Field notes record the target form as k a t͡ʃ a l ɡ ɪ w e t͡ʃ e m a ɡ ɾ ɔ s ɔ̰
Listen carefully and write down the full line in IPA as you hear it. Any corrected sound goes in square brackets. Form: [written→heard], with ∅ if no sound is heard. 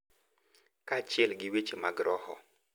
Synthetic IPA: k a t͡ʃ [a→ɛ] l ɡ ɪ w e t͡ʃ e m a ɡ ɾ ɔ [s→h] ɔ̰